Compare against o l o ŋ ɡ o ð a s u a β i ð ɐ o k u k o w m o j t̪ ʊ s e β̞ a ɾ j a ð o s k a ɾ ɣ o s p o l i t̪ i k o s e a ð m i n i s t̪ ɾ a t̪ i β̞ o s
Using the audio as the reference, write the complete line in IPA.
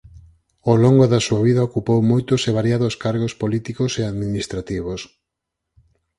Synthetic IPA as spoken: o l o ŋ ɡ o ð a s u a β i ð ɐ o k u p o w m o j t̪ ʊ s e β̞ a ɾ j a ð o s k a ɾ ɣ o s p o l i t̪ i k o s e a ð m i n i s t̪ ɾ a t̪ i β̞ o s